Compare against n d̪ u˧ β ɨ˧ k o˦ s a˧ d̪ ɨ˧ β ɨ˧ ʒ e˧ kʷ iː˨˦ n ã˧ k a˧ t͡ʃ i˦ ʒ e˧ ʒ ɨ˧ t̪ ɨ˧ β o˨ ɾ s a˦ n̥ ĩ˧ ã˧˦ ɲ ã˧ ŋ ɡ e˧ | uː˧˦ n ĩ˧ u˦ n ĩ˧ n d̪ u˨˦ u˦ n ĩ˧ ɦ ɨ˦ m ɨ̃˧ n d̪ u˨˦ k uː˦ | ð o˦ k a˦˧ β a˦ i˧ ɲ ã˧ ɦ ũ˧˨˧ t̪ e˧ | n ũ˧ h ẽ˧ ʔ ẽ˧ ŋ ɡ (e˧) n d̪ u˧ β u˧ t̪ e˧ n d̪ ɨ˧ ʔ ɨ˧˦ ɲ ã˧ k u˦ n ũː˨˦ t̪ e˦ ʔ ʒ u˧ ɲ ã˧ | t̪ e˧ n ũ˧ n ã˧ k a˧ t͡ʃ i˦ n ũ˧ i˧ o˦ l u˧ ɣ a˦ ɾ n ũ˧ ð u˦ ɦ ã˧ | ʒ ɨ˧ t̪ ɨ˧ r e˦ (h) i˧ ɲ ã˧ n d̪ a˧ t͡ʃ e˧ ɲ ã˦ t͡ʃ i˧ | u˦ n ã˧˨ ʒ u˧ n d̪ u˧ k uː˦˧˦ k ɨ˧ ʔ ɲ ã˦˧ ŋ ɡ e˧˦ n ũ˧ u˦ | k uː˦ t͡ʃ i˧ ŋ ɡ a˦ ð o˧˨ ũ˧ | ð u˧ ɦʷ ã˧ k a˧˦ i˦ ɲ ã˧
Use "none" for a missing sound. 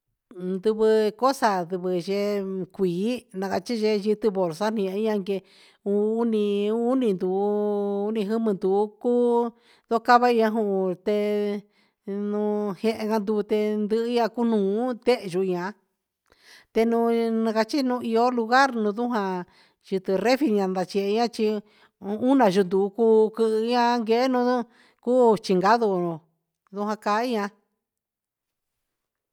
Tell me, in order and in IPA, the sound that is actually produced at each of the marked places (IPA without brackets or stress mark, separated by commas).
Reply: a˧, f